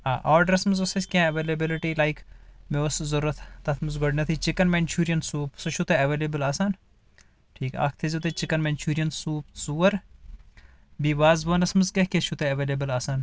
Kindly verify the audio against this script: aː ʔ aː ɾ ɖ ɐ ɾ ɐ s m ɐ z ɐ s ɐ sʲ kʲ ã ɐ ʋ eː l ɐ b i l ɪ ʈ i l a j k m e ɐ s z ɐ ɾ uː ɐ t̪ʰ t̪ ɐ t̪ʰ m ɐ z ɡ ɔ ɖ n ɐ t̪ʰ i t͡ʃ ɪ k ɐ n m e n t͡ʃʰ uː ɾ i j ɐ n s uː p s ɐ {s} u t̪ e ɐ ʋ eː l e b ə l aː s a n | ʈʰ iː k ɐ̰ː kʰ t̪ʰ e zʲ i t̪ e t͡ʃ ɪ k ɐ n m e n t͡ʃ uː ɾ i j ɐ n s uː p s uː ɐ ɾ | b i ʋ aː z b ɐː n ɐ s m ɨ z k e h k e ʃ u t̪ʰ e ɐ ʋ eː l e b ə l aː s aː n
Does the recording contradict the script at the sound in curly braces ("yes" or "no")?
yes